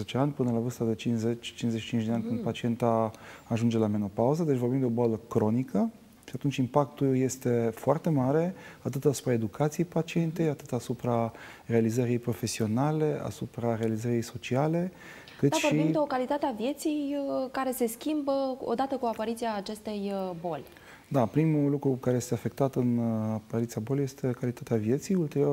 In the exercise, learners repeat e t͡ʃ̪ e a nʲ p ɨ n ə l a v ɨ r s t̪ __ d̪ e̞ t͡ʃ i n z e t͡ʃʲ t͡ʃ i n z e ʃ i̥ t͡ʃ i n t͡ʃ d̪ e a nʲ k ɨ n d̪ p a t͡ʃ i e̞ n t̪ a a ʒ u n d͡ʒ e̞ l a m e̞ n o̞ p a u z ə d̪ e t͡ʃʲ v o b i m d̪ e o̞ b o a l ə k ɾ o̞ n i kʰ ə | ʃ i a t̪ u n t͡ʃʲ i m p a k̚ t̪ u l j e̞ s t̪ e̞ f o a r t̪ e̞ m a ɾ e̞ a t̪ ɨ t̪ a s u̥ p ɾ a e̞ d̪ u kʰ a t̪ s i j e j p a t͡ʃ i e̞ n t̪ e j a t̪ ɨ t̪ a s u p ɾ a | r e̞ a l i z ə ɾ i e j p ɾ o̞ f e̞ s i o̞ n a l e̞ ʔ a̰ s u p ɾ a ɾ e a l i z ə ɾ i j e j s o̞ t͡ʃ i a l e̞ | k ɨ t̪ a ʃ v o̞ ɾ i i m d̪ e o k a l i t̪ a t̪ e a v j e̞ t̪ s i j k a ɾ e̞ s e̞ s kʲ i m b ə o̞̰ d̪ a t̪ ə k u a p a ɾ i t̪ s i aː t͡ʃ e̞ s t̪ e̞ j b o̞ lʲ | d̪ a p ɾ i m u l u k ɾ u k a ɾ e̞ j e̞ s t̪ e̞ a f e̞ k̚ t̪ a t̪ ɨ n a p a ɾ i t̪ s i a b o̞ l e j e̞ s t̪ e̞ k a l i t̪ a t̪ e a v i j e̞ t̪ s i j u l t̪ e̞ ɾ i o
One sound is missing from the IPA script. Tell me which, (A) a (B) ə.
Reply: A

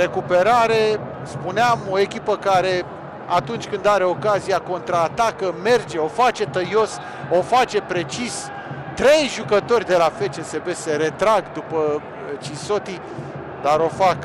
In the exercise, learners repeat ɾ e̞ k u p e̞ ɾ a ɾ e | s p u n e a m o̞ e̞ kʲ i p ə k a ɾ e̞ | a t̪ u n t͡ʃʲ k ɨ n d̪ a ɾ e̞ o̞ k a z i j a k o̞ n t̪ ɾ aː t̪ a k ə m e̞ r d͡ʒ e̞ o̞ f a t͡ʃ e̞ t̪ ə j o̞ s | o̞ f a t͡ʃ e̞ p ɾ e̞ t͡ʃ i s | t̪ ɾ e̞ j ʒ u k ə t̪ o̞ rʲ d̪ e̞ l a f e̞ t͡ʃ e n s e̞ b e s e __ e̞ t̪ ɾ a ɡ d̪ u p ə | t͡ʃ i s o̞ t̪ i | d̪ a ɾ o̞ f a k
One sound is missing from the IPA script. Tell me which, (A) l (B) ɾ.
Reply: B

